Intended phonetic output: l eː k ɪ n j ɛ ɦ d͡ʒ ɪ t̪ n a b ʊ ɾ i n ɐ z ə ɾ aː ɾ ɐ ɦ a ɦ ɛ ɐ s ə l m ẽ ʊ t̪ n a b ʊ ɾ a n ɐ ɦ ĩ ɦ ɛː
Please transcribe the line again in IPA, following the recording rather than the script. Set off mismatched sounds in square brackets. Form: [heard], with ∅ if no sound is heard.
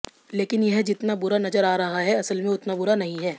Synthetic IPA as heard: l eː k ɪ n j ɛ ɦ d͡ʒ ɪ t̪ n a b ʊ ɾ [a] n ɐ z ə ɾ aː ɾ ɐ ɦ a ɦ ɛ ɐ s ə l m ẽ ʊ t̪ n a b ʊ ɾ a n ɐ ɦ ĩ ɦ ɛː

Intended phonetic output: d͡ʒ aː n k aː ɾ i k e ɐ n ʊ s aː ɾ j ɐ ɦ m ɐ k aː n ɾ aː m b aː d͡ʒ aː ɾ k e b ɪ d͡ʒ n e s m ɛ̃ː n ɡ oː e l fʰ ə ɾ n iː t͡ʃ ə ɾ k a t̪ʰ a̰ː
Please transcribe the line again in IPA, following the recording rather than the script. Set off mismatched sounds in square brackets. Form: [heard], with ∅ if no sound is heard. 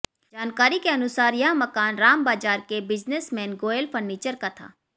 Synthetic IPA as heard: d͡ʒ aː n k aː ɾ i k e ɐ n ʊ s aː ɾ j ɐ ɦ m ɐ k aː n ɾ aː m b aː d͡ʒ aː ɾ k e b ɪ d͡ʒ n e s m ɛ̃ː n ɡ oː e l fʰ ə ɾ n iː t͡ʃ ə ɾ k a t̪ʰ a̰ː

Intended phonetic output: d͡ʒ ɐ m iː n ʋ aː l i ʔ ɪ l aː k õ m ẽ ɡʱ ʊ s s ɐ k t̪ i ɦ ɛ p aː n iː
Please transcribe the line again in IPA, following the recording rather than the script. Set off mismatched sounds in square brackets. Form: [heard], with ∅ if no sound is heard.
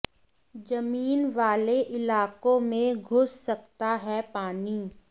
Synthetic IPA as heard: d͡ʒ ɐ m iː n ʋ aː l [e] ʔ ɪ l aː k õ m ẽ ɡʱ ʊ s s ɐ k t̪ [a] ɦ ɛ p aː n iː

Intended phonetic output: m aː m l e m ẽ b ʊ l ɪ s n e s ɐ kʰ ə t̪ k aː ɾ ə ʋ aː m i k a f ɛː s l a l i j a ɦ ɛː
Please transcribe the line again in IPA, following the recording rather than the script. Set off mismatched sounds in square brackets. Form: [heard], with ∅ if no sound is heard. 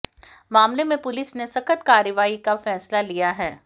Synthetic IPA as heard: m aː m l e m ẽ [p] ʊ l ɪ s n e s ɐ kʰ ə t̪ k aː ɾ ə ʋ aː [∅] i k a f ɛː s l a l i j a ɦ ɛː

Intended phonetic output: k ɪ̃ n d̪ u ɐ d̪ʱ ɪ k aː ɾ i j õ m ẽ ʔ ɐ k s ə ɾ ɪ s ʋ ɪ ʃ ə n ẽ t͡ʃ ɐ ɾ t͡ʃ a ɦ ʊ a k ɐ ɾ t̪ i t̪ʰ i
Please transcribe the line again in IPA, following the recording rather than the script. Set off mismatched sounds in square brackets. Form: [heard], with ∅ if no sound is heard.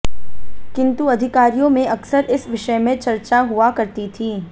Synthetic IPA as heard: k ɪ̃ n [t̪] u ɐ d̪ʱ ɪ k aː ɾ i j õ m ẽ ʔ ɐ k s ə ɾ ɪ s ʋ ɪ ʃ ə [m] ẽ t͡ʃ ɐ ɾ t͡ʃ a ɦ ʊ a k ɐ ɾ t̪ i t̪ʰ [iː]

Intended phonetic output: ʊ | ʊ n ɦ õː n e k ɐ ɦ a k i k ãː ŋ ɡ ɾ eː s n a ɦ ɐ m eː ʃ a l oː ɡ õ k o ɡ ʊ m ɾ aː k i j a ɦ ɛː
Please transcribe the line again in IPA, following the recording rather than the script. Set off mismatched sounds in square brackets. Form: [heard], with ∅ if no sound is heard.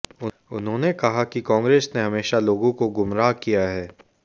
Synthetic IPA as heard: ʊ | ʊ n ɦ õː n e k ɐ ɦ a k i k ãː ŋ ɡ ɾ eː s n [e] ɦ ɐ m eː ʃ a l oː ɡ õ k o ɡ ʊ m ɾ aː k i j a ɦ ɛː

